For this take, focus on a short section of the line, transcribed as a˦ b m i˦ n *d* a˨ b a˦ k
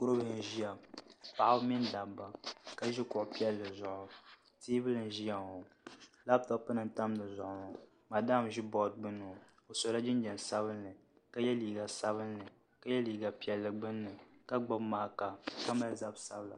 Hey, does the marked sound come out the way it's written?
yes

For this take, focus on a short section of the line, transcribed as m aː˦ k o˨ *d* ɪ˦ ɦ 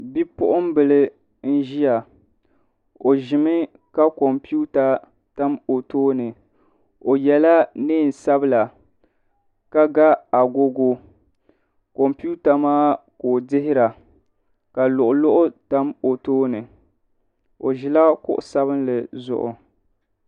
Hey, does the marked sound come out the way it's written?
yes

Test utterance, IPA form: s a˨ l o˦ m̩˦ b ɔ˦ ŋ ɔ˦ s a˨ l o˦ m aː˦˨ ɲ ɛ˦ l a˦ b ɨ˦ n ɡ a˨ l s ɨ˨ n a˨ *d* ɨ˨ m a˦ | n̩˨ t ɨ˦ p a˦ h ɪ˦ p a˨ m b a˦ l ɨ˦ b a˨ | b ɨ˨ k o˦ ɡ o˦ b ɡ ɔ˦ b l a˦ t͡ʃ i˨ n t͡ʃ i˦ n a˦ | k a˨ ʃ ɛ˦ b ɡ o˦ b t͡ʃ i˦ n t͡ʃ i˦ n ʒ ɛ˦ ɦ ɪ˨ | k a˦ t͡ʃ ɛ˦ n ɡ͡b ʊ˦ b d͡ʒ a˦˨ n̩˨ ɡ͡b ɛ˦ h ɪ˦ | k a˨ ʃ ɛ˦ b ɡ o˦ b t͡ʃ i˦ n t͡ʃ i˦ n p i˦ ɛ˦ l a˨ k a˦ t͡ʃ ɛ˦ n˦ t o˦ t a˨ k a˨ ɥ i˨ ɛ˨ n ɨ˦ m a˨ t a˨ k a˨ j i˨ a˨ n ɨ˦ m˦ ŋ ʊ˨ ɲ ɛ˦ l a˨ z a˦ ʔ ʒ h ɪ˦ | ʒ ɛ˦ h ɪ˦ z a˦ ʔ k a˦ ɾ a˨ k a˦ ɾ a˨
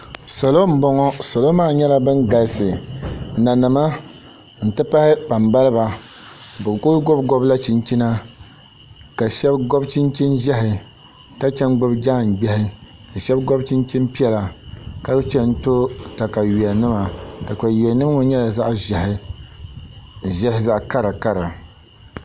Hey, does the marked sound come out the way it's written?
no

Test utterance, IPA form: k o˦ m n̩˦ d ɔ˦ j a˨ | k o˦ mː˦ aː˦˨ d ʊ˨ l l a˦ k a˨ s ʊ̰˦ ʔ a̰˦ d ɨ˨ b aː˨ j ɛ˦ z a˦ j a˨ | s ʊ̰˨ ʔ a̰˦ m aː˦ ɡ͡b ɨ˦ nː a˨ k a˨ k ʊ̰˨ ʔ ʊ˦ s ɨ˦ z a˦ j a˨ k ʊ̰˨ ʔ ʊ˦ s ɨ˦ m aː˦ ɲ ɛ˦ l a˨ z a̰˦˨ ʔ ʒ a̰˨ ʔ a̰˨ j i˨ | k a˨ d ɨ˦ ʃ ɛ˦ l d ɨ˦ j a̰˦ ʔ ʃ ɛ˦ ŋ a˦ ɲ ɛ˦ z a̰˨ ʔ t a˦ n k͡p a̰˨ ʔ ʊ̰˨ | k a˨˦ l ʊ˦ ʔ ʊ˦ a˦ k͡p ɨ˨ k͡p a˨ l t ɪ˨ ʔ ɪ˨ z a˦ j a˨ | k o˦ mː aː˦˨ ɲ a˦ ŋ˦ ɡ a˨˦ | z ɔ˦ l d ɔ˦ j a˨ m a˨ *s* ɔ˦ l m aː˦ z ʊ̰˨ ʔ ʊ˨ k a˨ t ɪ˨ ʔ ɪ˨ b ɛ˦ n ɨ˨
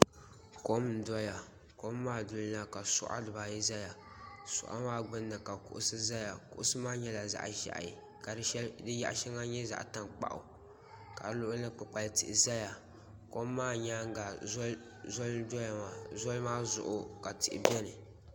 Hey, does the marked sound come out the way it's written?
no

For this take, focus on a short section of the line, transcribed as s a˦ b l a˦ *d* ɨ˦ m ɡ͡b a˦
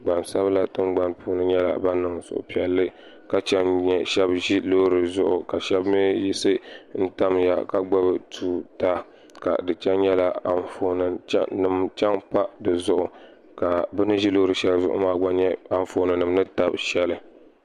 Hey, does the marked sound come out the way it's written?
no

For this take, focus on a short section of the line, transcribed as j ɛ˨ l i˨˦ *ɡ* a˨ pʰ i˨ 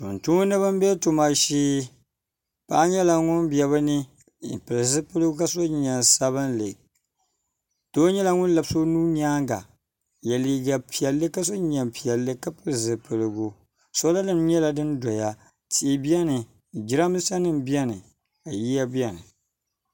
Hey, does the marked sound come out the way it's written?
yes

